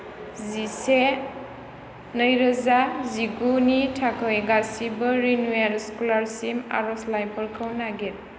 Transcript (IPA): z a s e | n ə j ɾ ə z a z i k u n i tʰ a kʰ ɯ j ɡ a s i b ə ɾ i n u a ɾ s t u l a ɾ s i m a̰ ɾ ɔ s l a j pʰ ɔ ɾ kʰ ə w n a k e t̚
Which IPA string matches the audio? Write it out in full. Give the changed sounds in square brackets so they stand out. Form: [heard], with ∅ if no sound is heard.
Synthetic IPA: z [i] s e | n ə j ɾ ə z a z i [ɡ] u n i tʰ a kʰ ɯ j ɡ a s i b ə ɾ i n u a ɾ s [k] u l a ɾ s i m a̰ ɾ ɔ s l a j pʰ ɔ ɾ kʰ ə w n a [ɡ] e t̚